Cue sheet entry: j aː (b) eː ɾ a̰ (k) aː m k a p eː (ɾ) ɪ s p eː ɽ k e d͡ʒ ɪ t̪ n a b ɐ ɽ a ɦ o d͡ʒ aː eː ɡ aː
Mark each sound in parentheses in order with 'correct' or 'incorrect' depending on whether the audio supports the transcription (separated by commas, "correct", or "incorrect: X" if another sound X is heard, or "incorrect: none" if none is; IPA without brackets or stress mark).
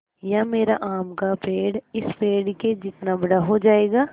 incorrect: m, incorrect: ʔ, incorrect: ɽ